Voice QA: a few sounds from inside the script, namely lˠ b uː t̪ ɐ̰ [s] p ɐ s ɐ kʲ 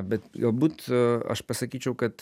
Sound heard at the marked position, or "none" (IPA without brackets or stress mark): ʃ